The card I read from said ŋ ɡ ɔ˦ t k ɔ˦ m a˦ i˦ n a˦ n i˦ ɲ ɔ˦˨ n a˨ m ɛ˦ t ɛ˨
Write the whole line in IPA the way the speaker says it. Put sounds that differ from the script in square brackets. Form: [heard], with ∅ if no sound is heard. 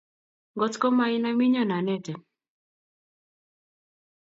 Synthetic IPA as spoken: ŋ ɡ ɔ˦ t k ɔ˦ m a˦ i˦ n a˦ [m] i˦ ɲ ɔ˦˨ n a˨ [n] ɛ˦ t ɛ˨